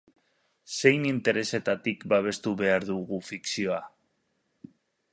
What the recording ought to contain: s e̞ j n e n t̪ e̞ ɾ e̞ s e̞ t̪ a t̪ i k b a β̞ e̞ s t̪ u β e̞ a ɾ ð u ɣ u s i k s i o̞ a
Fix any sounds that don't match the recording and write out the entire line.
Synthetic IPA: s e̞ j n i n t̪ e̞ ɾ e̞ s e̞ t̪ a t̪ i k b a β̞ e̞ s t̪ u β e̞ a ɾ ð u ɣ u f i k s i o̞ a